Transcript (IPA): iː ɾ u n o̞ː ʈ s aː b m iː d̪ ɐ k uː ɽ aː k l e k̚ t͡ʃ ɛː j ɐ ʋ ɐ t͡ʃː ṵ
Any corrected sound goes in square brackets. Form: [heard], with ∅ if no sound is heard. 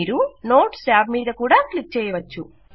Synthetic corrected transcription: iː ɾ u n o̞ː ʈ s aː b m iː d̪ ɐ k uː ɽ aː k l [i] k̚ t͡ʃ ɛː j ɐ ʋ ɐ t͡ʃː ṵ